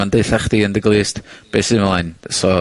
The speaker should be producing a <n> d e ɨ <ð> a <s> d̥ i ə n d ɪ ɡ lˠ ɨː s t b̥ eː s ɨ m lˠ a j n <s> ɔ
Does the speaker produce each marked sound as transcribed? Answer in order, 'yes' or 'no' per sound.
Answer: yes, no, no, yes

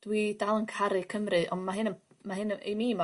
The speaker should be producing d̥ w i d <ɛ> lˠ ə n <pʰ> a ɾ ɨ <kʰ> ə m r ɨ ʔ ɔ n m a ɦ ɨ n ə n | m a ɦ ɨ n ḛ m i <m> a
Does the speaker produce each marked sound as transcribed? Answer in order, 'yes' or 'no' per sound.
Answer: no, no, yes, yes

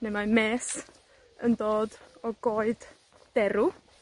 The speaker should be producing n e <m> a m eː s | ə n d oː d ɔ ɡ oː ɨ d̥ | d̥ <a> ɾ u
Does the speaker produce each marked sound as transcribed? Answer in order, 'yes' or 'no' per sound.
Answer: yes, no

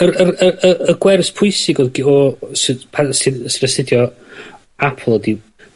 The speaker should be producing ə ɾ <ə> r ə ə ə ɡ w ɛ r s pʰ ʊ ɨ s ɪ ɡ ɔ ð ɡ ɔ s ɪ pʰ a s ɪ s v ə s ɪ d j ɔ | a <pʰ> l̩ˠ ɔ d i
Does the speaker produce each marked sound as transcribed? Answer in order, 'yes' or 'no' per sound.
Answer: yes, yes

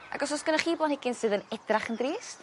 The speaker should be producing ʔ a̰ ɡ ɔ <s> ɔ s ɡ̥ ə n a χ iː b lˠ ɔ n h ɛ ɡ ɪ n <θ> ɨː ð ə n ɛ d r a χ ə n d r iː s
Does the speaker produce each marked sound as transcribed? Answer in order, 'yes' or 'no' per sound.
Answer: yes, no

